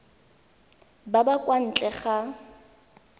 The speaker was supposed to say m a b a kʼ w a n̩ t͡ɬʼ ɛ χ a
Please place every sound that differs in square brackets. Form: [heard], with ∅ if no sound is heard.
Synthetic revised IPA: [b] a b a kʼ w a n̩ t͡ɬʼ ɛ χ a